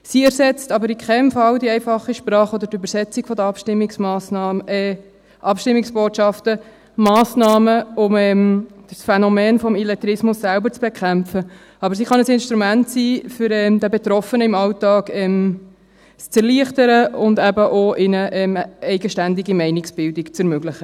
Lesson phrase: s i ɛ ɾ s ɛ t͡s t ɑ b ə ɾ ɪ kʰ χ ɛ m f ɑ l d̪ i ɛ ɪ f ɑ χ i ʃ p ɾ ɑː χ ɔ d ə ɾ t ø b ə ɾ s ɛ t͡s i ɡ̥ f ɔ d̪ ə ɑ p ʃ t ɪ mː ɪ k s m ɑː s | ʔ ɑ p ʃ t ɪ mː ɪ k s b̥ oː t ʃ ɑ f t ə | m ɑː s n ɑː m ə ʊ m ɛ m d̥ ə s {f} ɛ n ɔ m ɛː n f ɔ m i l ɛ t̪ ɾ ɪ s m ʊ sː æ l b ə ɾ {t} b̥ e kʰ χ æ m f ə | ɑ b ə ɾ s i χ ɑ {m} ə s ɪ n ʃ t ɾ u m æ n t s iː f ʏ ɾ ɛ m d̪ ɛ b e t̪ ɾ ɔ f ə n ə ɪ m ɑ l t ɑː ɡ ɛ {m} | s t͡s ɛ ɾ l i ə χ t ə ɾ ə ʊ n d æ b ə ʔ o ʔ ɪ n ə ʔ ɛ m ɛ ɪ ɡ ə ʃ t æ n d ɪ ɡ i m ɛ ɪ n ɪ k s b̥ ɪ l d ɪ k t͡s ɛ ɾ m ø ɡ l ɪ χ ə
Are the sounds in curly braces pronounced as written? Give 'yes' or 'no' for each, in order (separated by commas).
yes, no, no, yes